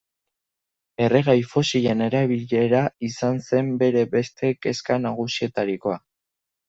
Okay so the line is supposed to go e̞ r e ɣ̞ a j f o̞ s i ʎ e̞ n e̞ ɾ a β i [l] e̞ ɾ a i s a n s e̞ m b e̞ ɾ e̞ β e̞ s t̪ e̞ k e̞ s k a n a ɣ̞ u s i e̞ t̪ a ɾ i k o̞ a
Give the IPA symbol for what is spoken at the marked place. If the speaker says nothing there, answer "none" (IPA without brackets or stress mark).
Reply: ʎ